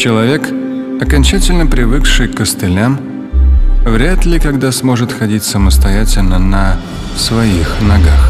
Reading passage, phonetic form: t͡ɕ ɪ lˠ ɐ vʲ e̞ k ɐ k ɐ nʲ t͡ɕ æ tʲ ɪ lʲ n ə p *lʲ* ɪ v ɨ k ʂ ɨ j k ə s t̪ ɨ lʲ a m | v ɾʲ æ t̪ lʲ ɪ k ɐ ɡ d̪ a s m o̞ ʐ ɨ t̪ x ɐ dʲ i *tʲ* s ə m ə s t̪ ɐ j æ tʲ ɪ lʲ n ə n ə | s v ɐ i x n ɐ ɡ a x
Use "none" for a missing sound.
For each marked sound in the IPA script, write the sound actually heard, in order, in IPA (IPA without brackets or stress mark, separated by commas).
ɾʲ, tʲ